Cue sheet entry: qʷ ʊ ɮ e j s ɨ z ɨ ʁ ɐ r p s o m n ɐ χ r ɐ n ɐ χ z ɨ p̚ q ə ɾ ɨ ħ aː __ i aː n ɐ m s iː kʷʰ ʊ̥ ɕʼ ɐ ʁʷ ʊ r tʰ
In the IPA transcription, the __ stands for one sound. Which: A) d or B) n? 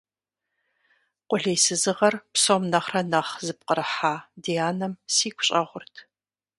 A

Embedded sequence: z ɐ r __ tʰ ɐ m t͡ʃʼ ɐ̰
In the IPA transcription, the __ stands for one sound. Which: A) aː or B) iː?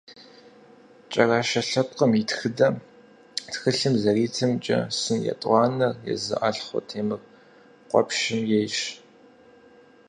B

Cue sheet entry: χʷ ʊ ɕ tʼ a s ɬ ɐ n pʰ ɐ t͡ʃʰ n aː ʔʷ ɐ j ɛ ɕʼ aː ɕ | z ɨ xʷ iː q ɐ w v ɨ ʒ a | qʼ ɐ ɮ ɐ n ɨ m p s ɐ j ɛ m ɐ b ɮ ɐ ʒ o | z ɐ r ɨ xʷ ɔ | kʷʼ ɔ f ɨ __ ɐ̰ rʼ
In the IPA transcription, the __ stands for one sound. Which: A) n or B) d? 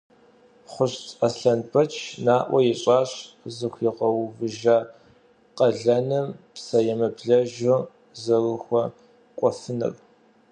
A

